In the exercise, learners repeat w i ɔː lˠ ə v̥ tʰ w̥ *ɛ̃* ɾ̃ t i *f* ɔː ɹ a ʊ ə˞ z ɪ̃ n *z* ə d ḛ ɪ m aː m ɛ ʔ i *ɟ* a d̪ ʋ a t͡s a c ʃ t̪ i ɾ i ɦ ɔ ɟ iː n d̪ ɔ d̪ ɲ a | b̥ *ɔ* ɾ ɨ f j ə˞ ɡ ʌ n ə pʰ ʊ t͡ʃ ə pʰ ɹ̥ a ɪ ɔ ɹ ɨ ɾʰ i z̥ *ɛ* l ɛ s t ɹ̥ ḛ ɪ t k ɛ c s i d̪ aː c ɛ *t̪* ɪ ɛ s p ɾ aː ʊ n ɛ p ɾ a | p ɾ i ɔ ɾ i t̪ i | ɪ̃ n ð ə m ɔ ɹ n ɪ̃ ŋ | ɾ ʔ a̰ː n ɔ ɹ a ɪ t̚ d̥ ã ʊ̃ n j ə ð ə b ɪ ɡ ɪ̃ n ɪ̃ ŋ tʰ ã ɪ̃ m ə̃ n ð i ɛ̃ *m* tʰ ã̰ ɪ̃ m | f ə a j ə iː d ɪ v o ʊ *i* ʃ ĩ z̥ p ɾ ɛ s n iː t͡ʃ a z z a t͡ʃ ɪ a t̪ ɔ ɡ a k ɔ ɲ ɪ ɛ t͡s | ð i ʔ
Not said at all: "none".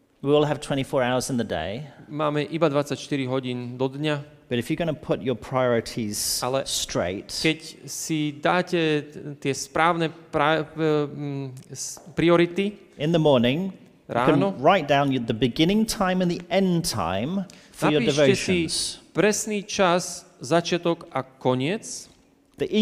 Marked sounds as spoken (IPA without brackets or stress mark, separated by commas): ɛ̃, f, ð, b, ʌ, a, t̪, n, ɛ